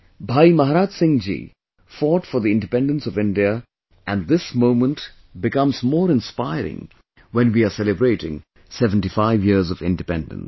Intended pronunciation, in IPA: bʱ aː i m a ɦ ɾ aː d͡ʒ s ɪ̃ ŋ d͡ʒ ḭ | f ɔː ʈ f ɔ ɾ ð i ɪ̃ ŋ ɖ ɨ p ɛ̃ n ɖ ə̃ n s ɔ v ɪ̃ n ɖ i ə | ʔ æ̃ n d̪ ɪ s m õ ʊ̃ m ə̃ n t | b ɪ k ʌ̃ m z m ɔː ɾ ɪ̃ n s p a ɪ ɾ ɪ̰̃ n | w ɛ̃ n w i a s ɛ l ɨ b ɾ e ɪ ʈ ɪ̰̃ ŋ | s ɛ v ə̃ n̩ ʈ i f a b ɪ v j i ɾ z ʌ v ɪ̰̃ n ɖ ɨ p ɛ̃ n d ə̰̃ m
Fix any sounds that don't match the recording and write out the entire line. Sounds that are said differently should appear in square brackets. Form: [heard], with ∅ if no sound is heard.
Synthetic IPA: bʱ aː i m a ɦ ɾ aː d͡ʒ s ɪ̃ ŋ d͡ʒ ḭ | f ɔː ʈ f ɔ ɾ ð i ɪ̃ [n] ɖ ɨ p ɛ̃ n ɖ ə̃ n s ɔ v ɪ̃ n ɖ i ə | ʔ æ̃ n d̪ ɪ s m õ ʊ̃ m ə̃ n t | b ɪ k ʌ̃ m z m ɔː ɾ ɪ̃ n s p a ɪ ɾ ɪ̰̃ [ŋ] | w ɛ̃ n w i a s ɛ l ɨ b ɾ e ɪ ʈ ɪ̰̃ ŋ | s ɛ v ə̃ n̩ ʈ i f a [∅] ɪ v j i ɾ z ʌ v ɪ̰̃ n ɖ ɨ p ɛ̃ n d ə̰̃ [n]